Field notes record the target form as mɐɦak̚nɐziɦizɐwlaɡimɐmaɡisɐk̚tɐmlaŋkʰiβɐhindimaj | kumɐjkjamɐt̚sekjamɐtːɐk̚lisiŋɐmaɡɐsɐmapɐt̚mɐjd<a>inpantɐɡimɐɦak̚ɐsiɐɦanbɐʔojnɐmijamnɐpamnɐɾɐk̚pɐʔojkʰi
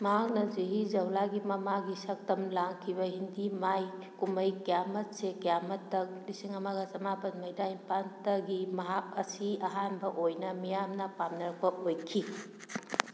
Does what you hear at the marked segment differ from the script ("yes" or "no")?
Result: no